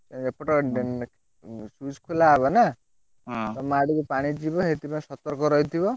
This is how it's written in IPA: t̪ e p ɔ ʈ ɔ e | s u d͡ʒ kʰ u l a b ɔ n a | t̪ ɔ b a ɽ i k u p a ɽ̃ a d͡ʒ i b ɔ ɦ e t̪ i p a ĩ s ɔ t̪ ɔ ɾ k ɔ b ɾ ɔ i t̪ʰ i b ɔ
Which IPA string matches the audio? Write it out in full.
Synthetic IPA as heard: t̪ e p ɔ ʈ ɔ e | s u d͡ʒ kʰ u l a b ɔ n a | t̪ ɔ m a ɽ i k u p a ɽ̃ i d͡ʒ i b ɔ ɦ e t̪ i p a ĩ s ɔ t̪ ɔ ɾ k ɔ ɾ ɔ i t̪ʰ i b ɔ